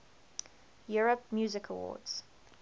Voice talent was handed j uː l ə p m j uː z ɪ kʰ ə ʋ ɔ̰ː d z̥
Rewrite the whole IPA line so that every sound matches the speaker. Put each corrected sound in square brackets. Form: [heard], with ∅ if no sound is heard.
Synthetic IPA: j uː [ɹ] ə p m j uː z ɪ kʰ ə [w] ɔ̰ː d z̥